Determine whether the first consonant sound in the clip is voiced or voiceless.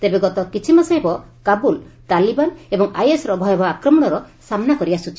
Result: voiceless